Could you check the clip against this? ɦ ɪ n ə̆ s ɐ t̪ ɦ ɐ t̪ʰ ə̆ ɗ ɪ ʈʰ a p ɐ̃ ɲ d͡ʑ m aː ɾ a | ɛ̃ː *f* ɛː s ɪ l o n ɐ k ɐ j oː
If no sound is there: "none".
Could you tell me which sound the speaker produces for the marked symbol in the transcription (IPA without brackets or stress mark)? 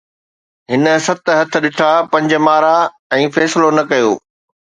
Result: f